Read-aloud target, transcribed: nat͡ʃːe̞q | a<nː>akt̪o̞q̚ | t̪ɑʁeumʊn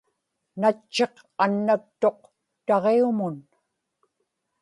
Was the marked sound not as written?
no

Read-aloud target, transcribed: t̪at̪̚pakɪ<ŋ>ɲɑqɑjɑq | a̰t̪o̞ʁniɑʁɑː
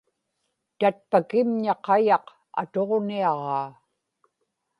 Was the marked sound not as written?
yes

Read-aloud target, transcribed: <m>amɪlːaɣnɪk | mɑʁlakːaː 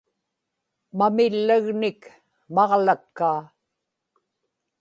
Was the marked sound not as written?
no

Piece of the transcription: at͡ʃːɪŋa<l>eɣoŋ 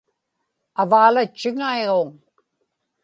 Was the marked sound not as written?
yes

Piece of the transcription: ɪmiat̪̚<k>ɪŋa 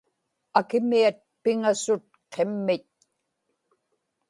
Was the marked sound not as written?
yes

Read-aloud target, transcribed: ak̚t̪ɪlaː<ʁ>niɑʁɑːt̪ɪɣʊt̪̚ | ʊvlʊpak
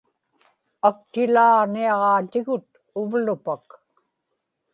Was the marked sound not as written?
no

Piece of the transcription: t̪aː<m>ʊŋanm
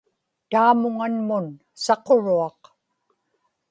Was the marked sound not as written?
no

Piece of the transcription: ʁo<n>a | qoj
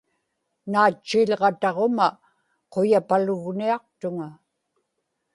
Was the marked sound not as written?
yes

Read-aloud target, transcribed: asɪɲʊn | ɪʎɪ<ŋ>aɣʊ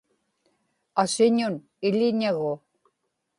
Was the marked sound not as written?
yes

